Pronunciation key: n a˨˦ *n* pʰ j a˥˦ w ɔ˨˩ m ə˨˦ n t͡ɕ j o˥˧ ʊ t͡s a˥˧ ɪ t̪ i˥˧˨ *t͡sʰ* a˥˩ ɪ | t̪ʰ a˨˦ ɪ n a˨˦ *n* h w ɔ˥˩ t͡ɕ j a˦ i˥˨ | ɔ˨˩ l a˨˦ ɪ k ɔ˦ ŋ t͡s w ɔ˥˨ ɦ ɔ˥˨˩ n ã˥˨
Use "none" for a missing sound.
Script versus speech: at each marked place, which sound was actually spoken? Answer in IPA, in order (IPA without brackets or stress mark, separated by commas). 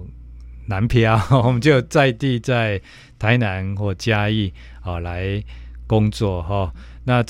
n, t͡s, n